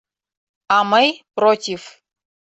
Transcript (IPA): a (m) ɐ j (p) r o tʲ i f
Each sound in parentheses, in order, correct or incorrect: correct, correct

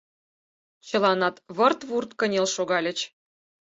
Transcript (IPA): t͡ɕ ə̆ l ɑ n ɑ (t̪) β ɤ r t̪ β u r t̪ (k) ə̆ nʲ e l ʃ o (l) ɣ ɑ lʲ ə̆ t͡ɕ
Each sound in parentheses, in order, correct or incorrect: correct, correct, incorrect: none

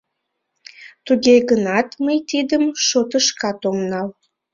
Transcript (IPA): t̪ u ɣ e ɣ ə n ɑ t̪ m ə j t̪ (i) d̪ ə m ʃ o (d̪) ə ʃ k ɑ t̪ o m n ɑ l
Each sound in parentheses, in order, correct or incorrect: correct, incorrect: t̪

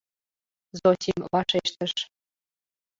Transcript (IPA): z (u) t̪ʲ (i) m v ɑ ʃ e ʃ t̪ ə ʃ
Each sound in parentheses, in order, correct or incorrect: incorrect: o, correct

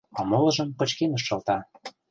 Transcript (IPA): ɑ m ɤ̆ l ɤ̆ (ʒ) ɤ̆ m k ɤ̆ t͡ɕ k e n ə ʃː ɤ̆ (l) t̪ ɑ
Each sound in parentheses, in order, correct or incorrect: correct, correct

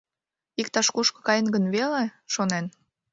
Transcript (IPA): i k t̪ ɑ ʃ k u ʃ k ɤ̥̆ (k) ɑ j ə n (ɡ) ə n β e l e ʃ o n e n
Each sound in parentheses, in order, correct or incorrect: correct, correct

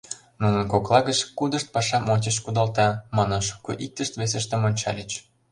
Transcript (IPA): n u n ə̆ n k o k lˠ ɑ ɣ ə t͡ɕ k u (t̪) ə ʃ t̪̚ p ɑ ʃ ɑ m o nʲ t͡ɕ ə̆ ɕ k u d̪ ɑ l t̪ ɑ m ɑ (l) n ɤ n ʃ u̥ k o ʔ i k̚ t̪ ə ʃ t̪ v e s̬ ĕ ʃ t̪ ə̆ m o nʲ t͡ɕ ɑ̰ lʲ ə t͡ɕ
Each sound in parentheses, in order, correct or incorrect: incorrect: d̪, incorrect: none

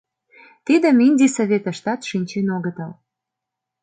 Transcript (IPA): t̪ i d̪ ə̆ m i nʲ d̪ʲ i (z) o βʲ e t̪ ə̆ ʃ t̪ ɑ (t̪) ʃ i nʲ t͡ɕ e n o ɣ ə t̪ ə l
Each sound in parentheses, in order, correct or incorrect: incorrect: s, correct

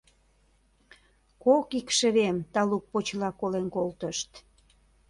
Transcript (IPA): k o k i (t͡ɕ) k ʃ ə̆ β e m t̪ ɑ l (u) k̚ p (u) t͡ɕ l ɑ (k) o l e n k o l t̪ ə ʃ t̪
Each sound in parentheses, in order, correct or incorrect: incorrect: none, correct, incorrect: o, correct

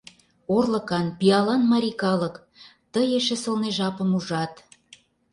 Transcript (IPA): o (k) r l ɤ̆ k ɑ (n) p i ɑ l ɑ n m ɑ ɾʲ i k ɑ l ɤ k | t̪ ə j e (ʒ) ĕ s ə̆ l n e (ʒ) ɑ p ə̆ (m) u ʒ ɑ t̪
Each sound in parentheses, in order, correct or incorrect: incorrect: none, correct, incorrect: ʃ, correct, correct

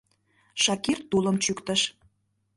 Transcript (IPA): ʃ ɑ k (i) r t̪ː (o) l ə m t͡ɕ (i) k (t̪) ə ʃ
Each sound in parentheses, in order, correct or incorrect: correct, incorrect: u, incorrect: y, correct

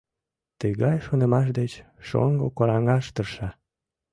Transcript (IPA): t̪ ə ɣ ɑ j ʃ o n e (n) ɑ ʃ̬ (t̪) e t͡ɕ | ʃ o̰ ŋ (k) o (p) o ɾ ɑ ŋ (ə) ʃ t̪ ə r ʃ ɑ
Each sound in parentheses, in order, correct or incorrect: incorrect: m, incorrect: d̪, incorrect: ɡ, incorrect: k, incorrect: ɑ

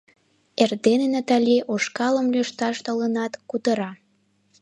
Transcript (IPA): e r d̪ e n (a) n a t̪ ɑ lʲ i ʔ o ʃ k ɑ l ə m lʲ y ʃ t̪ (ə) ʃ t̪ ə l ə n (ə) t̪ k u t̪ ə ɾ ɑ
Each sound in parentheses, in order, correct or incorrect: incorrect: e, incorrect: ɑ, incorrect: ɑ

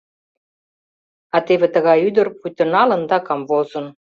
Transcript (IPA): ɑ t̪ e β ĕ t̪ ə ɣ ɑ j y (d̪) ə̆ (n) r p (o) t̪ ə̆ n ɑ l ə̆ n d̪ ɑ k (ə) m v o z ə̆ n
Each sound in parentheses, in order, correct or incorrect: correct, incorrect: none, incorrect: u, incorrect: ɑ

